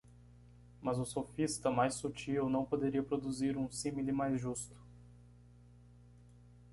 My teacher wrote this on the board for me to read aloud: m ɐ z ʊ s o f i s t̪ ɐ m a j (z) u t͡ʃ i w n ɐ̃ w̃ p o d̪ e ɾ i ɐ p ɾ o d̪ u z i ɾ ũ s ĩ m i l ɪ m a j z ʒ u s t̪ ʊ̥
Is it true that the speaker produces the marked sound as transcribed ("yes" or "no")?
no